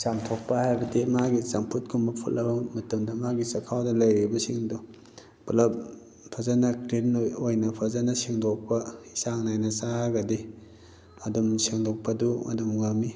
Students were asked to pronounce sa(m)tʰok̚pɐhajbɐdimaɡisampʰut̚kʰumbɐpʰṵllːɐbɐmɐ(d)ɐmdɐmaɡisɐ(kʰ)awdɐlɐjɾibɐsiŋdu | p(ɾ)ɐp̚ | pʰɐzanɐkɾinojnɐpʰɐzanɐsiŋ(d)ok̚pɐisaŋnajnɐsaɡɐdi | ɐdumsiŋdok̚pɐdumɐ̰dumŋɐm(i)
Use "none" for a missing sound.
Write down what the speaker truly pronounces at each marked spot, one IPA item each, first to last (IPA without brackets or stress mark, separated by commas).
m, t, kʰ, l, d, i